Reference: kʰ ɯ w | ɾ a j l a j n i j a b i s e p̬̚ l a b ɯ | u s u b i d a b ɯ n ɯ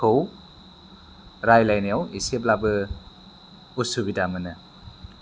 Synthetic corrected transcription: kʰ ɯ w | ɾ a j l a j n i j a w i s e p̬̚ l a b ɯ | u s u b i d a m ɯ n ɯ